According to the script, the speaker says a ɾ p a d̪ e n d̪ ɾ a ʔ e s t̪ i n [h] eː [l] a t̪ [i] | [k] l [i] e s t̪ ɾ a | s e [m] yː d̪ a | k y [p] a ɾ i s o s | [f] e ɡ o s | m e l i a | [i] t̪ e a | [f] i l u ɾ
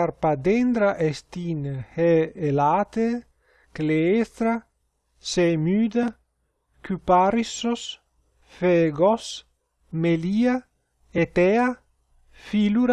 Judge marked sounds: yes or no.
yes, yes, no, yes, no, yes, yes, yes, no, yes

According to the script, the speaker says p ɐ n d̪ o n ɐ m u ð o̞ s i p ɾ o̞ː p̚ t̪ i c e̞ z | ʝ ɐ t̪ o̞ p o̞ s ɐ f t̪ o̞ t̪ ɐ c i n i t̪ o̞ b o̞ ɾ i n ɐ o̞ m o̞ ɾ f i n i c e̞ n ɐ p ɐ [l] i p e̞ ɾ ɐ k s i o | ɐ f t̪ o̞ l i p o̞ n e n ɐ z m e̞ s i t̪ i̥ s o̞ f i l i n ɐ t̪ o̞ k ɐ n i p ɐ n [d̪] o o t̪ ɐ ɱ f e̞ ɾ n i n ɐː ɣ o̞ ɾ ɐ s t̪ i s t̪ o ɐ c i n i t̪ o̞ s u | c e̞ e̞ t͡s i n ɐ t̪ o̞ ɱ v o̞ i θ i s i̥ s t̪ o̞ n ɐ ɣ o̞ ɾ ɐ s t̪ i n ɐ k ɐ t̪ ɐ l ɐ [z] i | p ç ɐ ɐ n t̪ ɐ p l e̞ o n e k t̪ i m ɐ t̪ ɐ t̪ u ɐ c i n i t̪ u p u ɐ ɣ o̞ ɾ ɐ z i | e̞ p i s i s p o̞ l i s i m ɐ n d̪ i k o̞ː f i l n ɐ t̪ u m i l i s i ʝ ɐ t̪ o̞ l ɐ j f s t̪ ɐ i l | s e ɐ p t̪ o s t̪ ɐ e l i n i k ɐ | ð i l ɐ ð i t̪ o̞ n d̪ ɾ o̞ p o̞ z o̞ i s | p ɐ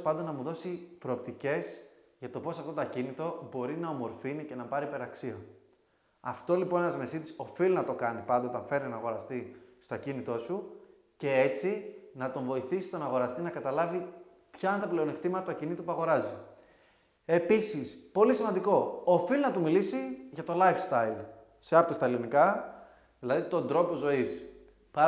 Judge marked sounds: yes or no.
no, yes, no

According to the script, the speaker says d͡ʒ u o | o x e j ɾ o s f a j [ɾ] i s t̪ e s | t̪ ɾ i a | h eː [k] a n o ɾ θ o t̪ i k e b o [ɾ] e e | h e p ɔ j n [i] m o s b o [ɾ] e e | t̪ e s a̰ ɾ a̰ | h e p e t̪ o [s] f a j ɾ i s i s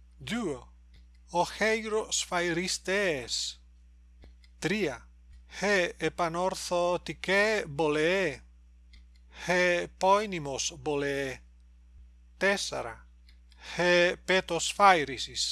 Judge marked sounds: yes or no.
yes, no, no, yes, no, yes

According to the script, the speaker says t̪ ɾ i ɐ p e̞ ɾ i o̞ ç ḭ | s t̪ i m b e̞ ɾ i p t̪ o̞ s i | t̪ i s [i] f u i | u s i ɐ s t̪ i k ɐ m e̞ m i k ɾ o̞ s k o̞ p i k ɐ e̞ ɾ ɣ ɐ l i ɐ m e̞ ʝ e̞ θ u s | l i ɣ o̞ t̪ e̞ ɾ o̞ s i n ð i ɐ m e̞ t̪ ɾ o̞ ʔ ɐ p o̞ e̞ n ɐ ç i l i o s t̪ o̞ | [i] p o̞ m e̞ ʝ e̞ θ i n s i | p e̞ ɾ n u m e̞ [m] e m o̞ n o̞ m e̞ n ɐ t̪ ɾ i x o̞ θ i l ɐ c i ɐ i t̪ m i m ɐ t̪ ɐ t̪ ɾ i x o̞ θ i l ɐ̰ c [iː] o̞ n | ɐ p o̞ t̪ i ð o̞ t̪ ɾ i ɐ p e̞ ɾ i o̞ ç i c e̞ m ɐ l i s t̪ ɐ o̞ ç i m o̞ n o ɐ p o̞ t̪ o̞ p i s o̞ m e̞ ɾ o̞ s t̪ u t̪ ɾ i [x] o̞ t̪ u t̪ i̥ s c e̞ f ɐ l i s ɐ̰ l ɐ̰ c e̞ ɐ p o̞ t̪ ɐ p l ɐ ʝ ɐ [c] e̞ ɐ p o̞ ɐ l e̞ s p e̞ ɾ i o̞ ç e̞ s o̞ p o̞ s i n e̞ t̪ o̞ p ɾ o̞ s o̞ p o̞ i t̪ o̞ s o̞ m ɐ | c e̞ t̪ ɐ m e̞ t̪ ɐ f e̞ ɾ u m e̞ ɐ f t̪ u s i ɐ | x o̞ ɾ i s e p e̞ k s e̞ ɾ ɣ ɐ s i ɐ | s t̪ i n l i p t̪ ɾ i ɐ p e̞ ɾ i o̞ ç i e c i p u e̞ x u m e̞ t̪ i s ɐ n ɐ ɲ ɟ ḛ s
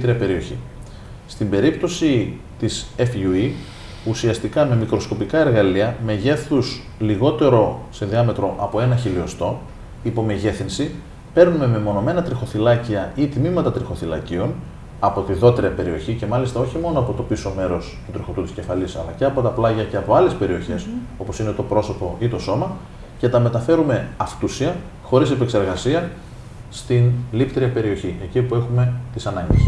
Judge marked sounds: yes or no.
no, yes, yes, no, yes, yes

